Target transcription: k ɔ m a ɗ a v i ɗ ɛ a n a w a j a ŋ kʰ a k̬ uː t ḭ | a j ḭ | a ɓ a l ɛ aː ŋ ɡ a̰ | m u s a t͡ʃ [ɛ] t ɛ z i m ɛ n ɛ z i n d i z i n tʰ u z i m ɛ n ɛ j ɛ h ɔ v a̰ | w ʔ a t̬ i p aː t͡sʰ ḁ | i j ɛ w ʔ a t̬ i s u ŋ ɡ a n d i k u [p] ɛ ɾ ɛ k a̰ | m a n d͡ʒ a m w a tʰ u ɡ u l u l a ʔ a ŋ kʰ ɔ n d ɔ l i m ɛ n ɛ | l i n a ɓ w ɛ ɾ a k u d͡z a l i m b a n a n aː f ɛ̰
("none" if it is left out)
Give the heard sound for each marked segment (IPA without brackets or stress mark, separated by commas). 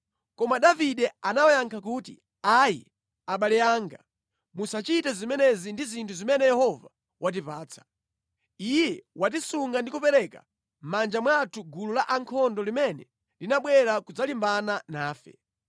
i, p